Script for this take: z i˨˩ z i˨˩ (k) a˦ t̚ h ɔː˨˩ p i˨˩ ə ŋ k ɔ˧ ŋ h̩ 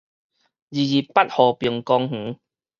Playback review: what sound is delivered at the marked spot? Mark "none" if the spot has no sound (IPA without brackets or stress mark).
p